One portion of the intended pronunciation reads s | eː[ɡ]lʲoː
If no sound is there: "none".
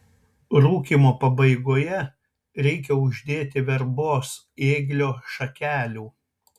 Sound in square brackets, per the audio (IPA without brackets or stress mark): ɡ